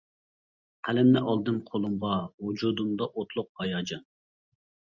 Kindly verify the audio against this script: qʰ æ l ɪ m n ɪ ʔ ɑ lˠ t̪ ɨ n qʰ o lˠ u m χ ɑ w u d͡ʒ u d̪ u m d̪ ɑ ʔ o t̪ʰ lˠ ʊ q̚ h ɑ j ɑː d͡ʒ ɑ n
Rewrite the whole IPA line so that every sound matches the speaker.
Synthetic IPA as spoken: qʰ æ l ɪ m n ɪ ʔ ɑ lˠ d̪ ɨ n qʰ o lˠ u m ʁ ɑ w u d͡ʒ u d̪ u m d̪ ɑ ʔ o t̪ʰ lˠ ʊ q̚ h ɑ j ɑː d͡ʒ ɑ n